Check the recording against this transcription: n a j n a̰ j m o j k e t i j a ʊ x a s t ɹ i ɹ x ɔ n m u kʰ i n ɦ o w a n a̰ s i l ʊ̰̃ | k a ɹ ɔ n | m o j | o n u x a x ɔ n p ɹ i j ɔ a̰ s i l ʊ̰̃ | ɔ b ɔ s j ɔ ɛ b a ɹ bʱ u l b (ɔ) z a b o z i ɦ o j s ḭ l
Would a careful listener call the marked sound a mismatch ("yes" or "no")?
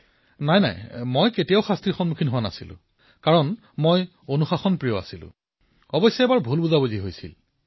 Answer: yes